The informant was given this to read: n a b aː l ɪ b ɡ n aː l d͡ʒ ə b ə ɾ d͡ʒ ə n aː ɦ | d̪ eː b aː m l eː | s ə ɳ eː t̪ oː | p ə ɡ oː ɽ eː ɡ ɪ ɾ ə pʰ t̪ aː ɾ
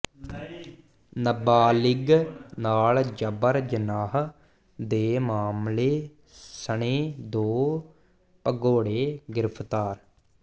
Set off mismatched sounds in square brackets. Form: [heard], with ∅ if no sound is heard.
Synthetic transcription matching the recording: n [ə] b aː l ɪ [∅] ɡ n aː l d͡ʒ ə b ə ɾ d͡ʒ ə n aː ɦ | d̪ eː [m] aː m l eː | s ə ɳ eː [d̪] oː | p ə ɡ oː ɽ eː ɡ ɪ ɾ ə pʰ t̪ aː ɾ